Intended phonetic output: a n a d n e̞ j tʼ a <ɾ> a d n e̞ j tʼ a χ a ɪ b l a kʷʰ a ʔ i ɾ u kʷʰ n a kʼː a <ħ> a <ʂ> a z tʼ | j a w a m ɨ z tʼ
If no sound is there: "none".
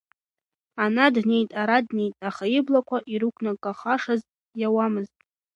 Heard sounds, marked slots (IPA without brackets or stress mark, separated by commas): ɾ, χ, ʂ